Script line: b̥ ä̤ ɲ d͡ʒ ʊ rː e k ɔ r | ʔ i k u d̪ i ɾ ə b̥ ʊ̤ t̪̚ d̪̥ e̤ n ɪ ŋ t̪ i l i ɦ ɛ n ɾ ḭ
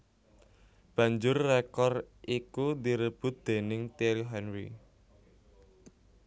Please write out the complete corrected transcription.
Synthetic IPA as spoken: b̥ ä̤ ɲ d͡ʒ ʊ rː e k ɔ r | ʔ i k u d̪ i ɾ ə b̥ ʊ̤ t̪̚ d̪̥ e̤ n ɪ ŋ t̪ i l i ɦ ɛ n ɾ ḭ